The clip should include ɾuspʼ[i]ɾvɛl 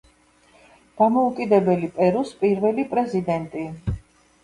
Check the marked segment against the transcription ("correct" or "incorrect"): correct